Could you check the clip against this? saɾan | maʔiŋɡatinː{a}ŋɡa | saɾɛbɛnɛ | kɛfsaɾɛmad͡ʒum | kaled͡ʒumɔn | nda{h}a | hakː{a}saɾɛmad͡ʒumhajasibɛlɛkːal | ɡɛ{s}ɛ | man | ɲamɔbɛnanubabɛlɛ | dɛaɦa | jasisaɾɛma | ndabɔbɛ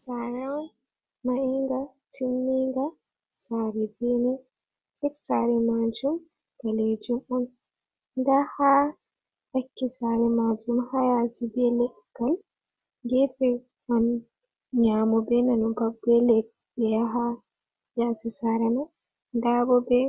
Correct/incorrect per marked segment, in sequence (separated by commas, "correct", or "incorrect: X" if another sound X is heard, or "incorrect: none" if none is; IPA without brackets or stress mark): incorrect: i, correct, incorrect: i, incorrect: f